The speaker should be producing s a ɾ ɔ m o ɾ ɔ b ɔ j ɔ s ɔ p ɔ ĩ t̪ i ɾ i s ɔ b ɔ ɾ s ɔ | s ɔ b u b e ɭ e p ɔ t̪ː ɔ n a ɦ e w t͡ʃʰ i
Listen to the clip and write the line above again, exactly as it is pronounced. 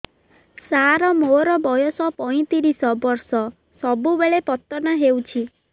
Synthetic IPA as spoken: s a ɾ ɔ m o ɾ ɔ b ɔ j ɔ s ɔ p ɔ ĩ t̪ i ɾ i s ɔ b ɔ ɾ s ɔ | s ɔ b u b e ɭ e p ɔ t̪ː ɔ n a ɦ e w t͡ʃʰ i

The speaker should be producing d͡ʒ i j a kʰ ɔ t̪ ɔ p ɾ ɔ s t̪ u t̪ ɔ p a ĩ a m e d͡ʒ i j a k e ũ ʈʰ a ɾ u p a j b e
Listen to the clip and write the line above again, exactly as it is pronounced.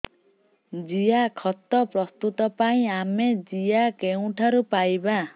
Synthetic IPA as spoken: d͡ʒ i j a kʰ ɔ t̪ ɔ p ɾ ɔ s t̪ u t̪ ɔ p a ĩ a m e d͡ʒ i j a k e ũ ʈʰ a ɾ u p a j b a

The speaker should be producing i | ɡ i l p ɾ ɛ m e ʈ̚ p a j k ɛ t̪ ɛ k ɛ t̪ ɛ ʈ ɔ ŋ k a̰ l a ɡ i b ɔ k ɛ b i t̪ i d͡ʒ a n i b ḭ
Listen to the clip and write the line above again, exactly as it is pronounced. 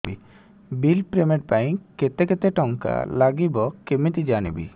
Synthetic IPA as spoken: i | b i l p ɾ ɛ m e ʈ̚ p a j k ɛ t̪ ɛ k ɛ t̪ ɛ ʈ ɔ ŋ k a̰ l a ɡ i b ɔ k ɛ m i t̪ i d͡ʒ a n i b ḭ

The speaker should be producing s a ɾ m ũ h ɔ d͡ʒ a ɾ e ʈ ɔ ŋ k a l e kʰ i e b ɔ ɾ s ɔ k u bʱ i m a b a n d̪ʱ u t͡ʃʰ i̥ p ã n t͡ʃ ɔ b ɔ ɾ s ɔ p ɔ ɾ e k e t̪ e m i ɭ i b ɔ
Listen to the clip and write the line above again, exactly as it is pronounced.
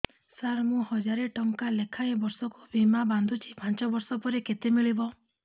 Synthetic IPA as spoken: s a ɾ m ũ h ɔ d͡ʒ a ɾ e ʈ ɔ ŋ k a l e kʰ a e b ɔ ɾ s ɔ k u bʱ i m a b a n d̪ʱ u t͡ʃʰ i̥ p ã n t͡ʃ ɔ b ɔ ɾ s ɔ p ɔ ɾ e k e t̪ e m i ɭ i b ɔ

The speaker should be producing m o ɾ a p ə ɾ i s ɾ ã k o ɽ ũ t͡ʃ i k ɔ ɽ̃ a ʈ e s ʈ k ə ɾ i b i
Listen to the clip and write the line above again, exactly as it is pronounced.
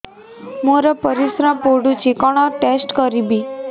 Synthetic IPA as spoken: m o ɾ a p ə ɾ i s ɾ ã p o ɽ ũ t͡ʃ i k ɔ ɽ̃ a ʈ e s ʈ k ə ɾ i b i

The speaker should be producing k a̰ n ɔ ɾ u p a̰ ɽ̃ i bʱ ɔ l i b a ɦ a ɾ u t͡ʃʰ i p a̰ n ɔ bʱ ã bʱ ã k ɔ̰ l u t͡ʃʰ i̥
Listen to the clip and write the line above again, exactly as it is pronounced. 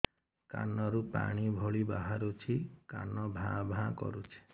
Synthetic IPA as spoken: k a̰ n ɔ ɾ u p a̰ ɽ̃ i bʱ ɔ ɭ i b a ɦ a ɾ u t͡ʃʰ i k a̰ n ɔ bʱ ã bʱ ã k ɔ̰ ɾ u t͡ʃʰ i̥

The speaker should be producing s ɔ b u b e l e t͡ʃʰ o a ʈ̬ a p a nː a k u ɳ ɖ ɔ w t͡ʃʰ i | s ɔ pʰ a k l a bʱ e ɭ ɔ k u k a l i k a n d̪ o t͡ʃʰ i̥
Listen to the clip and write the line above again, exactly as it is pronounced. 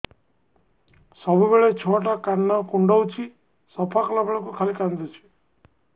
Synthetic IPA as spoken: s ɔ b u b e ɭ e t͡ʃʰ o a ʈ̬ a k a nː a k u ɳ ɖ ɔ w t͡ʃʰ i | s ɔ pʰ a k l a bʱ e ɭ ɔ k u kʰ a l i k a n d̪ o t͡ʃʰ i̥

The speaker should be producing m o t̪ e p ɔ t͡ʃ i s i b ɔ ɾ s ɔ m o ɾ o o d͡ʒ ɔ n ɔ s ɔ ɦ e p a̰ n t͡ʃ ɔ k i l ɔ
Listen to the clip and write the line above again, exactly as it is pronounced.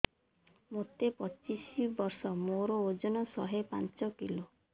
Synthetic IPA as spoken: m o t̪ e p ɔ t͡ʃ i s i b ɔ ɾ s ɔ m o ɾ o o d͡ʒ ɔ n ɔ s ɔ ɦ e p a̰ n t͡ʃ ɔ k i l o

